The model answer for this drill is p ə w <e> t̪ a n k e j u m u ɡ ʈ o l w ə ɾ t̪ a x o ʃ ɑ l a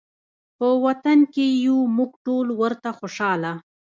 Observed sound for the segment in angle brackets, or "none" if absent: a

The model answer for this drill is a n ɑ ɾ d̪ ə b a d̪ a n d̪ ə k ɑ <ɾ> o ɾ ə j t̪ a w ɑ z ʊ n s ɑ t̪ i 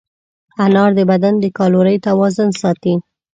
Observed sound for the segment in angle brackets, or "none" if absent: l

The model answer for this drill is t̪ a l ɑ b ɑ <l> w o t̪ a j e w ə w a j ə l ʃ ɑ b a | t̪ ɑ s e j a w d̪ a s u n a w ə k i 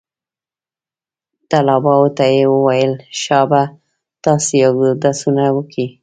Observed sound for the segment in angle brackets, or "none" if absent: none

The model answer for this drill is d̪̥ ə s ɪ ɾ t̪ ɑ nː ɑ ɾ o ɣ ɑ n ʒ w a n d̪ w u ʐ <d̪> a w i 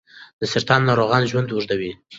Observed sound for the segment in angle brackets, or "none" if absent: d̪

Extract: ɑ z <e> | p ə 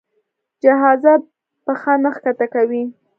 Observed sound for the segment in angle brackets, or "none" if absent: a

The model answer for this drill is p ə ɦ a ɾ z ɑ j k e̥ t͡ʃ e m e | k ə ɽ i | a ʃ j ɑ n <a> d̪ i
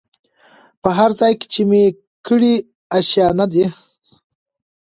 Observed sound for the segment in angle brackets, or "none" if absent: a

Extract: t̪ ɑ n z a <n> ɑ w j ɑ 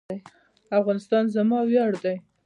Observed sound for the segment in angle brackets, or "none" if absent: m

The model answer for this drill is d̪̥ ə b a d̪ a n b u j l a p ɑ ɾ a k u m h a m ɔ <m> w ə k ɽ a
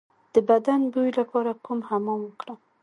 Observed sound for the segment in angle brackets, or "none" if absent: m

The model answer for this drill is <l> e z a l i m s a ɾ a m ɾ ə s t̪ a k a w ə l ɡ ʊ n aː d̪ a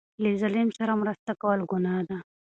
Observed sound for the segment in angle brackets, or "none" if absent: l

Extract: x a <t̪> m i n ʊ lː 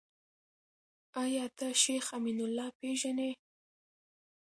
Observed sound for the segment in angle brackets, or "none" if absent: none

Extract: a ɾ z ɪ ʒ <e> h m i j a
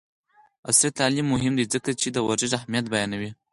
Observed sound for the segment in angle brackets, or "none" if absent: a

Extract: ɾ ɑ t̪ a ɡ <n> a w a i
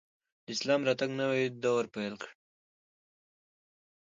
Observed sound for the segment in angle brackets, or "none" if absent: n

